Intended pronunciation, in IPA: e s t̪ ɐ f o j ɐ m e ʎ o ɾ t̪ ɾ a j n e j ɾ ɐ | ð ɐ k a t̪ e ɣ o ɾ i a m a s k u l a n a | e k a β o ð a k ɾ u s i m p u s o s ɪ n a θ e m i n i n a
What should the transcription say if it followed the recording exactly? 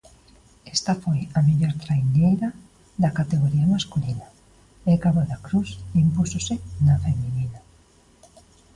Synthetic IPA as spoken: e s t̪ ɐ f o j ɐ m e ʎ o ɾ t̪ ɾ a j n e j ɾ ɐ | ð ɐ k a t̪ e ɣ o ɾ i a m a s k u l i n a | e k a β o ð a k ɾ u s i m p u s o s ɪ n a f e m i n i n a